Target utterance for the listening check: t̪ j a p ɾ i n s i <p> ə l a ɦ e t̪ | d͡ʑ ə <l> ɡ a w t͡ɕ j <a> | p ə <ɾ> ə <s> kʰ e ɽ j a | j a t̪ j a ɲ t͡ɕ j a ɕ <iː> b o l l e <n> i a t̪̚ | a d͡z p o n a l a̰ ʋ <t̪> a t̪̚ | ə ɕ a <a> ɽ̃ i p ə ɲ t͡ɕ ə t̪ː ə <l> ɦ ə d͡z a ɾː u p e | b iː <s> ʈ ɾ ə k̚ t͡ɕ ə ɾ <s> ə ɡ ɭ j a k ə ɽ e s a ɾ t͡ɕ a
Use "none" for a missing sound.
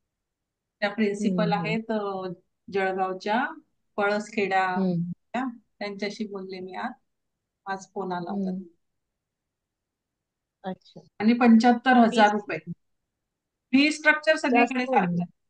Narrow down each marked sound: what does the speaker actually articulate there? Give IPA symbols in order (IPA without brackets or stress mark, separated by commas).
p, ɭ, a, ɭ, s, iː, m, t̪, a, ɾ, s, s